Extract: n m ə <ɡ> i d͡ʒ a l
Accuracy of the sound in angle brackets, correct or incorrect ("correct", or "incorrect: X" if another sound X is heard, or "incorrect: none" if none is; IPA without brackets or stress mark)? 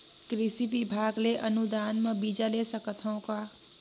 incorrect: b